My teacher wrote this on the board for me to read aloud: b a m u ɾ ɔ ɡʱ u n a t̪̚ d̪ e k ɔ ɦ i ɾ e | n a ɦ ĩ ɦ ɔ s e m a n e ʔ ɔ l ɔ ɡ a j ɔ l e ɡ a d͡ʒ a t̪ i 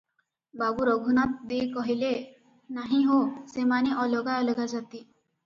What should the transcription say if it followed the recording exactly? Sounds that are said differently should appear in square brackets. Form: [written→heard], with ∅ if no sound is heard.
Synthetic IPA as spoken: b a [m→b] u ɾ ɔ ɡʱ u n a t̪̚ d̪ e k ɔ ɦ i [ɾ→l] e | n a ɦ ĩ ɦ [ɔ→o] s e m a n e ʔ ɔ l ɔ ɡ a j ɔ l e ɡ a d͡ʒ a t̪ i